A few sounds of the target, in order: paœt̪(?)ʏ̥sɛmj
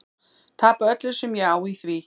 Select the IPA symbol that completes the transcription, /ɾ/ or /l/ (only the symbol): l